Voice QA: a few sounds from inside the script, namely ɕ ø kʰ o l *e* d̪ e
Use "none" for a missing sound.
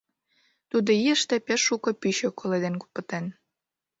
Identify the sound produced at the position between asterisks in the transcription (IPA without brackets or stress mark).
e